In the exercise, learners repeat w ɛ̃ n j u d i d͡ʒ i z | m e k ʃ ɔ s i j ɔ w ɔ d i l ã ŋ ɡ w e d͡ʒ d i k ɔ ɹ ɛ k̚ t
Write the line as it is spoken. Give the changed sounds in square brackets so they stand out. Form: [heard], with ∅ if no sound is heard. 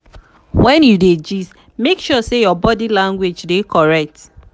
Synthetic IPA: w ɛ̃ n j u d [e] d͡ʒ i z | m e k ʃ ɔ s [e] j ɔ [b] ɔ d i l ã ŋ ɡ w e d͡ʒ d [e] k ɔ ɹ ɛ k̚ t

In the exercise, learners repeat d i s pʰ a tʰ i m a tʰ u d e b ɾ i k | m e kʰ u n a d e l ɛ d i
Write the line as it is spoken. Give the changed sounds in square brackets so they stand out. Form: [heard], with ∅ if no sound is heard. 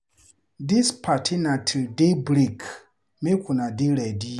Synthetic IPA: d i s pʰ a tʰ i [n] a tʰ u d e b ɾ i k | m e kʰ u n a d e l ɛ d i

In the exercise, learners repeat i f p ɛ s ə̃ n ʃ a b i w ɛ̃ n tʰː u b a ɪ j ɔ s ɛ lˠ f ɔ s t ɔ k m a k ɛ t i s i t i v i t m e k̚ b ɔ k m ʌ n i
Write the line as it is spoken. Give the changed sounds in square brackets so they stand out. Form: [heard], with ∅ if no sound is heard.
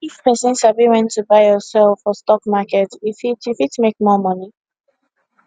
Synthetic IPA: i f p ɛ s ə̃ n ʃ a b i w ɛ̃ n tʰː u b a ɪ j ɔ s ɛ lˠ f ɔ s t ɔ k m a k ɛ t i [f] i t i [f] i t m e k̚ [m] ɔ [∅] m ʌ n i

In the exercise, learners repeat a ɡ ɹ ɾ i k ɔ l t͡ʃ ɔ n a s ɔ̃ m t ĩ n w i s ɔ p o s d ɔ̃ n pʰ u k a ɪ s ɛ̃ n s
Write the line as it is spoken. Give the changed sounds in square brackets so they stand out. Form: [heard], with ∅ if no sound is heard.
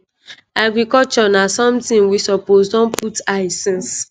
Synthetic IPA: a ɡ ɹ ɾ i k ɔ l t͡ʃ ɔ n a s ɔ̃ m t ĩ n w i s ɔ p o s d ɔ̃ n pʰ u [t] a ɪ s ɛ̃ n s

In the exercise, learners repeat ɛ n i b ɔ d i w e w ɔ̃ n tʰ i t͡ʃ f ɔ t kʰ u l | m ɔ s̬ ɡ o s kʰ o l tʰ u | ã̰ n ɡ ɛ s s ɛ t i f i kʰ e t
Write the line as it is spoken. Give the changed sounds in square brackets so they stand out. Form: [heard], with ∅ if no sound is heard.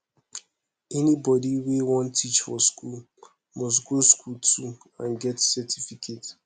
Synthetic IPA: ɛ n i b ɔ d i w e w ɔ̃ n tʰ i t͡ʃ f ɔ [s] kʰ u l | m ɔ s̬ ɡ o s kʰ [u] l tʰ u | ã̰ n ɡ ɛ [t] s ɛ t i f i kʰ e t

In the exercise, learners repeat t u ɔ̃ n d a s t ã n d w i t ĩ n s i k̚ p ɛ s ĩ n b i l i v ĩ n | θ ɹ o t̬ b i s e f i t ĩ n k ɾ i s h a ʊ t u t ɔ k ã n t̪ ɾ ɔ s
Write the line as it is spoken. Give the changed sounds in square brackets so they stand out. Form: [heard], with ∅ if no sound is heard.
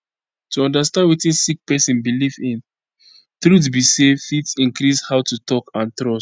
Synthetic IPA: t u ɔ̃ n d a s t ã n d w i t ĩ n s i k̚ p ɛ s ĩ n b i l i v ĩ n | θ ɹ [u] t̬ b i s e f i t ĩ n k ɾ i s h a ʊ t u t ɔ k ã n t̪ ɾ ɔ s

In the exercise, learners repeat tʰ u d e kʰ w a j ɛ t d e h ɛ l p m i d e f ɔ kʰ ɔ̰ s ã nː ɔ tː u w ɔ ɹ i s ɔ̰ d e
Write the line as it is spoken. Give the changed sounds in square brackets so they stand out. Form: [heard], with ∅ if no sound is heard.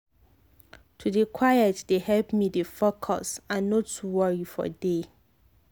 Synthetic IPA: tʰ u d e kʰ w a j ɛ t d e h ɛ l p m i d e f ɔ kʰ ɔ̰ s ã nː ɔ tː u w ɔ ɹ i [f] ɔ̰ d e

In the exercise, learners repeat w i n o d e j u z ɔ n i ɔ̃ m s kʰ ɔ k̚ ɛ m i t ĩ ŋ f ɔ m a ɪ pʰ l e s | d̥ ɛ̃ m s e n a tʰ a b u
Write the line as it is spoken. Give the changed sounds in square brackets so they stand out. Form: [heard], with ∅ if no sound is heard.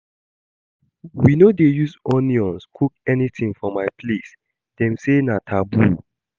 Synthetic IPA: w i n o d e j u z ɔ n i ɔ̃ [n] s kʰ [u] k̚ ɛ [n] i t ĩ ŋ f ɔ m a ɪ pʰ l e s | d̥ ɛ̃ m s e n a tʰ a b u

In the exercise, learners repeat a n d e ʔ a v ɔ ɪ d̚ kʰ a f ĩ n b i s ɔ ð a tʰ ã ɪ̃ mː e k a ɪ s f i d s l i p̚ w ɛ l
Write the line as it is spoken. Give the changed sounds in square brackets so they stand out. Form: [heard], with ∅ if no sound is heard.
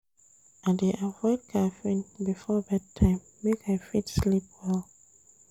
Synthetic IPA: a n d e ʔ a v ɔ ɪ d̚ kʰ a f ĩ n b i [f] ɔ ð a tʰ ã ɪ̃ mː e k a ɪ [∅] f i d s l i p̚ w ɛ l

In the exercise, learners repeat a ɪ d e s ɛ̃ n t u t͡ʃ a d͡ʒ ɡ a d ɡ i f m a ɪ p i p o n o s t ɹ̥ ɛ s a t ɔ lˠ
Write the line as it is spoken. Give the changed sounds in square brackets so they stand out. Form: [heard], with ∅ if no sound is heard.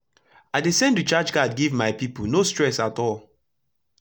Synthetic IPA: a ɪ d e s ɛ̃ n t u t͡ʃ a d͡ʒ ɡ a d ɡ i [v] m a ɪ p i p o n o s t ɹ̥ ɛ s a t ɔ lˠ

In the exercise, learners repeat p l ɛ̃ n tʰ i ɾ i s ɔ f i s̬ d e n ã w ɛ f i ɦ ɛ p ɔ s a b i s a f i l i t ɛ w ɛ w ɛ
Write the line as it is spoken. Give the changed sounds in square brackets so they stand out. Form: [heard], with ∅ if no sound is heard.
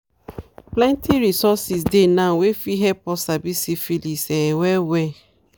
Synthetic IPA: p l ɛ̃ n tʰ i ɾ i s ɔ [s] i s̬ d e n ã w [e] f i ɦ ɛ p ɔ s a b i s [i] f i l i [s] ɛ w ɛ w ɛ

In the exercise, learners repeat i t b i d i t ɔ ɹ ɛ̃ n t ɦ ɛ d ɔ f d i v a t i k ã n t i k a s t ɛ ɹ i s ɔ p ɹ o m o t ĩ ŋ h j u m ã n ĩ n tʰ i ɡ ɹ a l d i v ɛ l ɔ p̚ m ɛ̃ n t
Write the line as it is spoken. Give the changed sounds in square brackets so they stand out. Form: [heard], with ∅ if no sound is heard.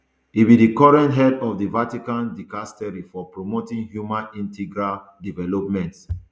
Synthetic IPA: i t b i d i [k] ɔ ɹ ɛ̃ n t ɦ ɛ d ɔ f d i v a t i k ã n [d] i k a s t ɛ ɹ i [f] ɔ p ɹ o m o t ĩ ŋ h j u m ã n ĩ n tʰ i ɡ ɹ a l d i v ɛ l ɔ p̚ m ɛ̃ n t

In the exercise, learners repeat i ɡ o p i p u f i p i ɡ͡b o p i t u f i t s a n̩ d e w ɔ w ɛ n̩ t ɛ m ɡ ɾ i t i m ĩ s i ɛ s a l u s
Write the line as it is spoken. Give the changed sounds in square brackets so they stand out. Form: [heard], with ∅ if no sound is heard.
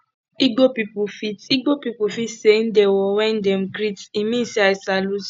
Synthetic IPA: i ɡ o p i p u f i [t] i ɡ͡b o p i [p] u f i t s [e] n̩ d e w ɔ w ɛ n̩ [d] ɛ m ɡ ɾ i t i m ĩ s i [a] s a l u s

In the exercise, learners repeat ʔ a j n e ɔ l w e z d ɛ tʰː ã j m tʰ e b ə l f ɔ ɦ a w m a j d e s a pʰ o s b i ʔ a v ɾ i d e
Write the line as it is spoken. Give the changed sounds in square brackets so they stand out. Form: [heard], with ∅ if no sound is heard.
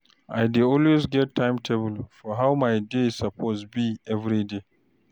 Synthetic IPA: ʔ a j [d] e ɔ l w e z [ɡ] ɛ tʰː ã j m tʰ e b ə l f ɔ ɦ a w m a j d e s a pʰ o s b i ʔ [ɛ] v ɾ i d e

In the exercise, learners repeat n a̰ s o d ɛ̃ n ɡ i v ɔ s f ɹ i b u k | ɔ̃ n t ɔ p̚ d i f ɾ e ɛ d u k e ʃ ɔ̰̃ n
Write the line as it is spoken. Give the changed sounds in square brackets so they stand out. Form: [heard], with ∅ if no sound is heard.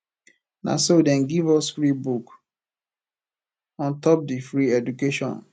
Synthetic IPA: n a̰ s o d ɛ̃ n ɡ i v ɔ s f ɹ i b u k | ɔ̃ n t ɔ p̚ d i f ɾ [i] ɛ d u k e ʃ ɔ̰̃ n

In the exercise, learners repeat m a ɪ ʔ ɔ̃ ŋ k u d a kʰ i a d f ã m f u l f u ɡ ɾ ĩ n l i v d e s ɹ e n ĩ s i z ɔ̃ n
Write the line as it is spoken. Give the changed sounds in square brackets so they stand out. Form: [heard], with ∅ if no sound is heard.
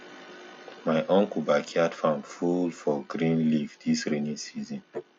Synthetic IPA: m a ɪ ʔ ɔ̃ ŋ k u [b] a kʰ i a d f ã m f u l f [ɔ] ɡ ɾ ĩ n l i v d [i] s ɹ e n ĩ s i z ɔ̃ n

